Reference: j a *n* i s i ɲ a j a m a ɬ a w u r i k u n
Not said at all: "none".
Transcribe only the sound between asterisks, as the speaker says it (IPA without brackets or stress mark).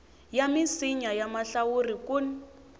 m